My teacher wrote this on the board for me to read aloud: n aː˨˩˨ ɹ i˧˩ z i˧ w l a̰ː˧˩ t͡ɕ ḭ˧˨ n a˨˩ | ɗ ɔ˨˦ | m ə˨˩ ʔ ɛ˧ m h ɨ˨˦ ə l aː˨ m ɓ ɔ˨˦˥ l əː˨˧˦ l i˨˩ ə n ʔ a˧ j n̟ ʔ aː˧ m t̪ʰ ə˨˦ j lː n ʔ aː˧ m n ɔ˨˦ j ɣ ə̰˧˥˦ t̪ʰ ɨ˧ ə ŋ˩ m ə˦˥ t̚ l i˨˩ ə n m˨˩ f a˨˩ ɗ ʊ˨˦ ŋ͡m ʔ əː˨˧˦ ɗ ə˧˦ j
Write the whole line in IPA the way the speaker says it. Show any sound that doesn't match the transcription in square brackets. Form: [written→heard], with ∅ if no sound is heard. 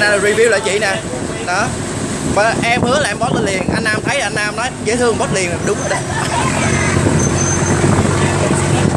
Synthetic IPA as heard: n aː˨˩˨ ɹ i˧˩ [z→v] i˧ w l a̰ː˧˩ t͡ɕ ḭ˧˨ n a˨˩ | ɗ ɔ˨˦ | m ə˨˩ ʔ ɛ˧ m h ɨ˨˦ ə l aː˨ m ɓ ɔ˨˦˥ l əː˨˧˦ l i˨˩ ə n ʔ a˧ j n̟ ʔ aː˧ m t̪ʰ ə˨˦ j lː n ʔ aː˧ m n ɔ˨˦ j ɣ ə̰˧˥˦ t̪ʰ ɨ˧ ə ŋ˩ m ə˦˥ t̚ l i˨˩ ə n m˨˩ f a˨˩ ɗ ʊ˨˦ ŋ͡m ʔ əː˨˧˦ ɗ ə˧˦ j